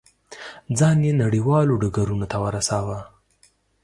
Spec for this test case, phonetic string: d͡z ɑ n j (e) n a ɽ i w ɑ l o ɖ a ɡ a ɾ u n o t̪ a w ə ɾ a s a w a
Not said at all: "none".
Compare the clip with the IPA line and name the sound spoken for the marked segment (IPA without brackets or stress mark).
e